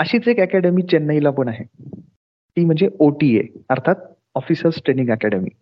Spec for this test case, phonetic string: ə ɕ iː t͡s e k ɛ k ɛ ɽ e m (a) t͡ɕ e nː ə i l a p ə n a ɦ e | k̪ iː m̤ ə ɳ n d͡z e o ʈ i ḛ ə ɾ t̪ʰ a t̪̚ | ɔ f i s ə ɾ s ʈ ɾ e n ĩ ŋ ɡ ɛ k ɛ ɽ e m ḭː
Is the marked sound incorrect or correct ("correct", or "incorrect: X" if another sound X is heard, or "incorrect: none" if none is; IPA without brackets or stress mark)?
incorrect: i